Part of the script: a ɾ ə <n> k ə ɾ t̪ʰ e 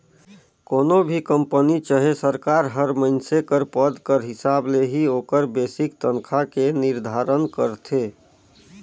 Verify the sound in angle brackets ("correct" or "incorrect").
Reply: correct